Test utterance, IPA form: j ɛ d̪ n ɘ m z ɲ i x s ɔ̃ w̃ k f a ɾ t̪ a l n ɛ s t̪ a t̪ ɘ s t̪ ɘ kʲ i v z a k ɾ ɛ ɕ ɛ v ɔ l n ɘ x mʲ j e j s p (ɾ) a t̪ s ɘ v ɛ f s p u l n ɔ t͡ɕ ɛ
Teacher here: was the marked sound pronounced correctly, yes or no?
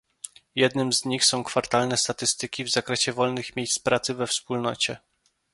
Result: yes